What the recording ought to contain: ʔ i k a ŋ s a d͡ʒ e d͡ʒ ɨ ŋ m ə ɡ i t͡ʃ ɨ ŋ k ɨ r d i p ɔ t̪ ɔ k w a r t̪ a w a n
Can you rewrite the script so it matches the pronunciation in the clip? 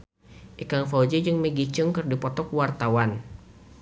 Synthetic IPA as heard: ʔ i k a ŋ f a d͡ʒ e d͡ʒ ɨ ŋ m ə ɡ i t͡ʃ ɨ ŋ k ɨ r d i p ɔ t̪ ɔ k w a r t̪ a w a n